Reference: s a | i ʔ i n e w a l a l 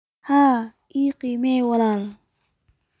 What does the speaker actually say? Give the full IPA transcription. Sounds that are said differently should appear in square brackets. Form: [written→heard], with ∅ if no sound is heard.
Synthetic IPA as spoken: [s→h] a | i [ʔ→q] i [n→m] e w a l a l